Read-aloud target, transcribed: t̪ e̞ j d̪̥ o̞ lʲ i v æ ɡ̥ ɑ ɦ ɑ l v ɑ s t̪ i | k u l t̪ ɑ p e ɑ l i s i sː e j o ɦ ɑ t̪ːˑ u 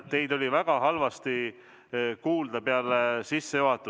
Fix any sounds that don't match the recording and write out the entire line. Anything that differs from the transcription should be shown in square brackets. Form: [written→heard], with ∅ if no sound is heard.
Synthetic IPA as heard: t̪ e̞ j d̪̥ o̞ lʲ i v æ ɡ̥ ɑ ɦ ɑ l v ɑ s t̪ i | k [u→uː] l [t̪→d̪] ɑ p e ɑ l [i→e] s i sː e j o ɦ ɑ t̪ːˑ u